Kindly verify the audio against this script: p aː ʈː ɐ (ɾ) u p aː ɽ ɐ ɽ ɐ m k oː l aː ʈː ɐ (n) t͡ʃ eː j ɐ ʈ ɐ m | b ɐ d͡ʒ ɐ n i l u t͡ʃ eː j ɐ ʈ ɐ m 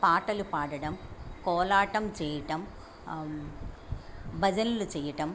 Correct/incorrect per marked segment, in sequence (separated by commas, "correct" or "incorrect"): incorrect, incorrect